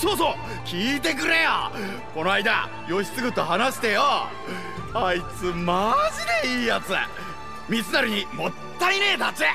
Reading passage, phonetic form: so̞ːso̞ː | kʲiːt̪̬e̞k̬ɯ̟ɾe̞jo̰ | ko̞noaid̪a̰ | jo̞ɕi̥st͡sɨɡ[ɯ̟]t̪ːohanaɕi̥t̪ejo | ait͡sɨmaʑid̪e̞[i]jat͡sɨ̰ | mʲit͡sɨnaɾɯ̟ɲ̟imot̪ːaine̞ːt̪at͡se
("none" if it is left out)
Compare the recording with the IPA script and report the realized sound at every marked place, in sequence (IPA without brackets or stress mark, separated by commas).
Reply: ɯ̟, iː